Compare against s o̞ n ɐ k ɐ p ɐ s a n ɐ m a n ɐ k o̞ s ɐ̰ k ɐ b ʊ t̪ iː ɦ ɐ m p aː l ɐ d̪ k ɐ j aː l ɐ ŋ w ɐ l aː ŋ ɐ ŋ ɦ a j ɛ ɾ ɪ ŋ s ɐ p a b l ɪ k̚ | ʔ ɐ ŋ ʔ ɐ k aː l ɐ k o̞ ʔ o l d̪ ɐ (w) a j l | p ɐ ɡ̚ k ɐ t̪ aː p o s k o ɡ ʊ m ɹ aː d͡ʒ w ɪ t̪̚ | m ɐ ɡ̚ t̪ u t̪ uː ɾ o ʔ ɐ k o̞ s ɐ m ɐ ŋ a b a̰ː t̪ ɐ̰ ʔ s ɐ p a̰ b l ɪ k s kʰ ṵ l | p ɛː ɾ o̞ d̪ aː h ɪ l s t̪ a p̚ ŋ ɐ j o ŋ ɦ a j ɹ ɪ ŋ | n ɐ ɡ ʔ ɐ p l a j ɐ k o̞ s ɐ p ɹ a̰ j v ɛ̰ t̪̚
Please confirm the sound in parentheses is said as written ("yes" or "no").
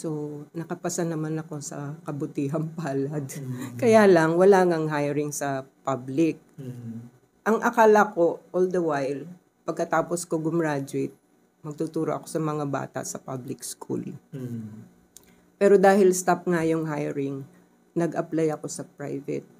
yes